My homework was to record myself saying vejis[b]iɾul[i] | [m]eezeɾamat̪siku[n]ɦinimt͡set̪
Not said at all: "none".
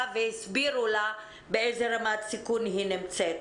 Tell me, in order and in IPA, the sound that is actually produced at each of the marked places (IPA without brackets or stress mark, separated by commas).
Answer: b, a, b, n